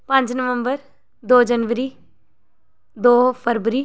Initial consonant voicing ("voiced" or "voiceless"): voiceless